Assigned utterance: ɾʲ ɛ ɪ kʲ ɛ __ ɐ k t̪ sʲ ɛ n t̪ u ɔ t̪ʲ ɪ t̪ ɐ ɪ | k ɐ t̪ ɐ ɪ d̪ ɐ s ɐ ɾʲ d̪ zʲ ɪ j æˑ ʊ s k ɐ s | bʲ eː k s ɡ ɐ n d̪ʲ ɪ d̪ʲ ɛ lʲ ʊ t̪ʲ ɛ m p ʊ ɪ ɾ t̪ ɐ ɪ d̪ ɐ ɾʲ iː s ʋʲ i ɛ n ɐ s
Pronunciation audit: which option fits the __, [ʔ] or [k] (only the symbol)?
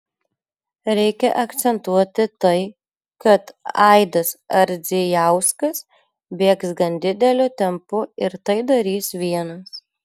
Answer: ʔ